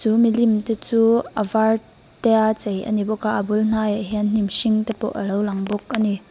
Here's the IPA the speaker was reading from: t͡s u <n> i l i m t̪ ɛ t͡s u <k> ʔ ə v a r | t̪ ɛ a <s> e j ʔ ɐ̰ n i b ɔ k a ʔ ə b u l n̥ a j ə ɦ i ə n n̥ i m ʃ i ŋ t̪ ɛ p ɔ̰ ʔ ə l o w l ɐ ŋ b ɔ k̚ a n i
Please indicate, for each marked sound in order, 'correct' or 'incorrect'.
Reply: incorrect, incorrect, incorrect

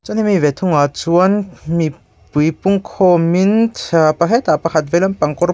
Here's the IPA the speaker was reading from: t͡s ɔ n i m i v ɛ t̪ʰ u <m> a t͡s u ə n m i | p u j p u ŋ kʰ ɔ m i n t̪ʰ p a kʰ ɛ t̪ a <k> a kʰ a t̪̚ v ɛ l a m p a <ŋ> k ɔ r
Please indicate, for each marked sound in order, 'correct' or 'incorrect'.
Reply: incorrect, incorrect, correct

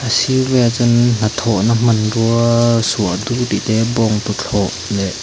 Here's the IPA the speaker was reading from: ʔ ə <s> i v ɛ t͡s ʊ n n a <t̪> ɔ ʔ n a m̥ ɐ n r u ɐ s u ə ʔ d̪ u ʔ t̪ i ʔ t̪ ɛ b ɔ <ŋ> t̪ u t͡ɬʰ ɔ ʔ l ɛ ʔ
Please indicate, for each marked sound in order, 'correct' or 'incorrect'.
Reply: correct, incorrect, correct

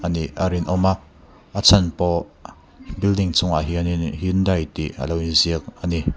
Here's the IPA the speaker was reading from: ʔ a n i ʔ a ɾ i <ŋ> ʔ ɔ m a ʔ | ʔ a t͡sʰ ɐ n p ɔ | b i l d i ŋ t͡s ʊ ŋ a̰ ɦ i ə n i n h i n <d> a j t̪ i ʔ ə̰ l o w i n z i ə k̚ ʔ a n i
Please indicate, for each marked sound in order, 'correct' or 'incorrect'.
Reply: incorrect, correct

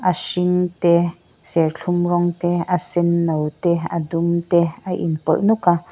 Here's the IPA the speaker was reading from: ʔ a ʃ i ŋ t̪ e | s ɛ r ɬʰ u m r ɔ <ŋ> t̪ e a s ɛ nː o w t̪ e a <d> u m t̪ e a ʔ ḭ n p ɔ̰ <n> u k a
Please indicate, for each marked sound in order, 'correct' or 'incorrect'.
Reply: correct, correct, correct

